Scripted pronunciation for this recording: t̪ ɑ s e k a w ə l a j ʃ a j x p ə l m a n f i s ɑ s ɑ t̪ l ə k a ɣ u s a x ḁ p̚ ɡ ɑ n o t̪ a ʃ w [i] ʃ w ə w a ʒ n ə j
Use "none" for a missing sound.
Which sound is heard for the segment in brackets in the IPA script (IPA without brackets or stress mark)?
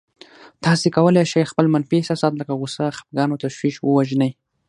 i